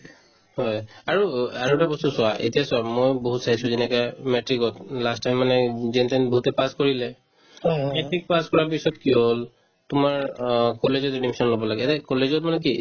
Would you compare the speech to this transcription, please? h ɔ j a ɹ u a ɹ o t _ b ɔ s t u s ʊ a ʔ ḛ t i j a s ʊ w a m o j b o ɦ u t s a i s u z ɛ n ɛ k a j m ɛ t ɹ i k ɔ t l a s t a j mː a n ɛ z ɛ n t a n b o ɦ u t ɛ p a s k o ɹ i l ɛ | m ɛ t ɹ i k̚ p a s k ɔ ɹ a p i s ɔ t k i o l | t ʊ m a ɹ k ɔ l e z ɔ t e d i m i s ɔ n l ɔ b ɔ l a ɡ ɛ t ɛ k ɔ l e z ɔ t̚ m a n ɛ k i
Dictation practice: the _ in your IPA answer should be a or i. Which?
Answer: a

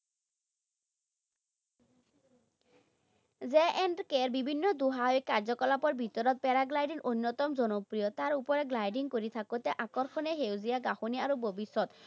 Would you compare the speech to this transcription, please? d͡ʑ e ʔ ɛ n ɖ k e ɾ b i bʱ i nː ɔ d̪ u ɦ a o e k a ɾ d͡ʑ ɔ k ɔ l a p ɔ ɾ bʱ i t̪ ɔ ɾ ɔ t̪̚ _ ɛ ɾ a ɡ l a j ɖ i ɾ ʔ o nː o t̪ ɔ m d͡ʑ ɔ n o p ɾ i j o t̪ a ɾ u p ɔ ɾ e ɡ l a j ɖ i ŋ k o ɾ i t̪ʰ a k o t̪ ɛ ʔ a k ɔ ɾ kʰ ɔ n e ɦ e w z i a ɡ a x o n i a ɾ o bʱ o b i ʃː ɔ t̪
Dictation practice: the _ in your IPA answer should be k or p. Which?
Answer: p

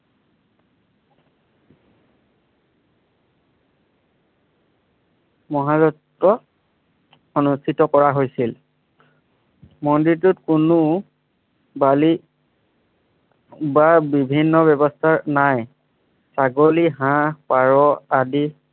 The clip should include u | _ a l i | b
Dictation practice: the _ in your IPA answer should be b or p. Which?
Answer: b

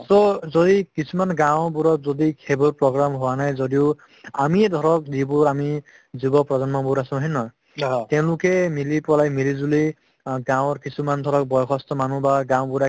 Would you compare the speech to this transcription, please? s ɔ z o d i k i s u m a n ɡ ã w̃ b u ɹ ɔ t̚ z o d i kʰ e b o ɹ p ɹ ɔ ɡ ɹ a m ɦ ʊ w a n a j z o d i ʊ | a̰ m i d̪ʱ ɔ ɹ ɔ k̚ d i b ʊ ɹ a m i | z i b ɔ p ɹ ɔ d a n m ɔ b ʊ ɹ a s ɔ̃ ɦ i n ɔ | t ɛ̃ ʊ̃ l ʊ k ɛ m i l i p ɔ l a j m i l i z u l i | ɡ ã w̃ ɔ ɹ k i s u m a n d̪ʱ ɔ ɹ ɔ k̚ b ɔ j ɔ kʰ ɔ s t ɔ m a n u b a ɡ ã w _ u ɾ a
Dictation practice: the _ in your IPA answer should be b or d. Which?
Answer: b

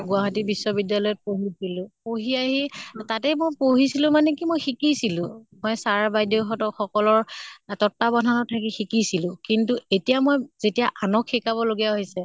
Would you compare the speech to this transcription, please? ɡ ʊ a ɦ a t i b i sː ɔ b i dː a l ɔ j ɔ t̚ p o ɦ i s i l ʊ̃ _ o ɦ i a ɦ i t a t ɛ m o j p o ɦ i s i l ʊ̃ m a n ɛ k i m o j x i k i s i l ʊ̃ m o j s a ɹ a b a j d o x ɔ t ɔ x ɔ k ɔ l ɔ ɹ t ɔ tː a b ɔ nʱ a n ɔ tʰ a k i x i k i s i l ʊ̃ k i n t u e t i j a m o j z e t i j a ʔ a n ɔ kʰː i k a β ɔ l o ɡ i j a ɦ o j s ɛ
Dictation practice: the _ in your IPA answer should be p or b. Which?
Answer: p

